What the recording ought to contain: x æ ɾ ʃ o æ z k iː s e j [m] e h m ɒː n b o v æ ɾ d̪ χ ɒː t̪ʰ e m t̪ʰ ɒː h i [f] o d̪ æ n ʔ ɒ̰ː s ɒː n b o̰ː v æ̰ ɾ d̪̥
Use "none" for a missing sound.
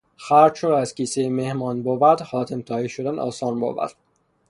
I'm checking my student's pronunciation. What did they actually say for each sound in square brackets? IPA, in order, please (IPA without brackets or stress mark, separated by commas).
m, ʃ